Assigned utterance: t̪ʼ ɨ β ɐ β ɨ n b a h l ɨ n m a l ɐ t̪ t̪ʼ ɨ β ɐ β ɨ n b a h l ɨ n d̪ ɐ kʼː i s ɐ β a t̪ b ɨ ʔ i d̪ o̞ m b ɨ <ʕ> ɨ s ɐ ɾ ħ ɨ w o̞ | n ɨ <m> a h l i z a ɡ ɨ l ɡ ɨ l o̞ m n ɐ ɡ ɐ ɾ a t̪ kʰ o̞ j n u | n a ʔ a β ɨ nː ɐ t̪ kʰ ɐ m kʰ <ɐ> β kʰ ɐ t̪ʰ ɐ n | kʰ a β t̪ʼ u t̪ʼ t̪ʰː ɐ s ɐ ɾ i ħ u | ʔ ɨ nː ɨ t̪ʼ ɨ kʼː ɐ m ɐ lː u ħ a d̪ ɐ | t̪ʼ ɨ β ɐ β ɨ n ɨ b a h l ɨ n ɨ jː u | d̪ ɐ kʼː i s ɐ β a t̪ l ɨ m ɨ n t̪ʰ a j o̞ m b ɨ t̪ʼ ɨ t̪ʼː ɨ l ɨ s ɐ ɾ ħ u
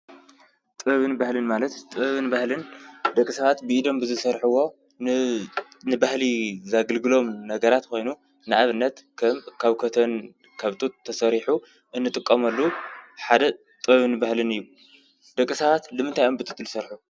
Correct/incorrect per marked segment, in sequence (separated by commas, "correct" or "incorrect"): incorrect, incorrect, incorrect